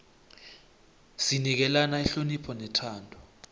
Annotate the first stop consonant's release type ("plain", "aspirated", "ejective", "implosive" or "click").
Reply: plain